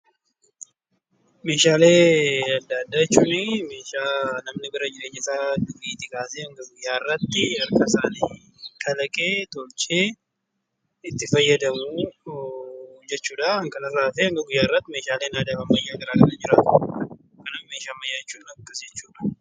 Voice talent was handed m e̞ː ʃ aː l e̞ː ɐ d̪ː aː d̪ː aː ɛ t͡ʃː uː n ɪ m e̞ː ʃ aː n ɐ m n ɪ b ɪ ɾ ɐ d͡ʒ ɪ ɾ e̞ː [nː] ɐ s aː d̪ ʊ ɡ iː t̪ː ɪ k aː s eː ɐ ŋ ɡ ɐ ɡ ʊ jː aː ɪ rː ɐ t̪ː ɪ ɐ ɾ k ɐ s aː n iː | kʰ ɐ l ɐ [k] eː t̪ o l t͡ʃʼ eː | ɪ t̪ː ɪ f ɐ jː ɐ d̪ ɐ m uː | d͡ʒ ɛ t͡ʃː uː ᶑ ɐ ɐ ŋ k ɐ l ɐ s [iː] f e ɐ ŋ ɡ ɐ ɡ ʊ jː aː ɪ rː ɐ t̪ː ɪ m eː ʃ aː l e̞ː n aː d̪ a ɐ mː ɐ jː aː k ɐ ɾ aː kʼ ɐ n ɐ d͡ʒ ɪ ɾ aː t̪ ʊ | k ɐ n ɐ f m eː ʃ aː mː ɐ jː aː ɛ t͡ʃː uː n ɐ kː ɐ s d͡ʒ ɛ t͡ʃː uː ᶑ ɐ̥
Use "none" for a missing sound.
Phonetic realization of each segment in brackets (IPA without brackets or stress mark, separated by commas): ɲː, kʼ, aː